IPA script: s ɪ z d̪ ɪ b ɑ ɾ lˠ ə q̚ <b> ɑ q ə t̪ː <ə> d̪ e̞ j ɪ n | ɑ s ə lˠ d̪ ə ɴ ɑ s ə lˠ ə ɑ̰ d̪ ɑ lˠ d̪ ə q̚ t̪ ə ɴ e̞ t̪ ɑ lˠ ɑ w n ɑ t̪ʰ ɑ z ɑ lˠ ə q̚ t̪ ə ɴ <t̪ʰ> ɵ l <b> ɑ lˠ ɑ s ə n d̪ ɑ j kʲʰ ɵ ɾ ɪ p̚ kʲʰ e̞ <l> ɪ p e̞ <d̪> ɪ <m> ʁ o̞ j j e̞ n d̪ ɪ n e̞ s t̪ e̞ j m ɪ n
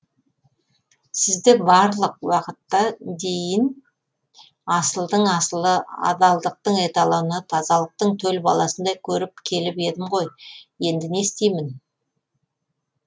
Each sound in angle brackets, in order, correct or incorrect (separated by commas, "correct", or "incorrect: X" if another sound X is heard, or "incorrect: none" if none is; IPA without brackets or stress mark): incorrect: w, incorrect: ɑ, correct, correct, correct, correct, correct